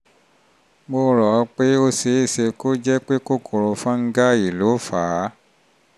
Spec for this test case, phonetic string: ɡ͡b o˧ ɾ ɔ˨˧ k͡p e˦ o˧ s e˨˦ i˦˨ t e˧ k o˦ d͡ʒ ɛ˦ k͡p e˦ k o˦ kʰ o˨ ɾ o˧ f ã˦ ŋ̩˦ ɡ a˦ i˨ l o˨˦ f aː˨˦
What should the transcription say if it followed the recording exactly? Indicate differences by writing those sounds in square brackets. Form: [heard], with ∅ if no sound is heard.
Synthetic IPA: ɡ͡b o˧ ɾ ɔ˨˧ k͡p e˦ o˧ s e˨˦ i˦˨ [s] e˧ k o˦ d͡ʒ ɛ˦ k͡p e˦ k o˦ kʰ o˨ ɾ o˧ f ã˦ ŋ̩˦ ɡ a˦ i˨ l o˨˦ f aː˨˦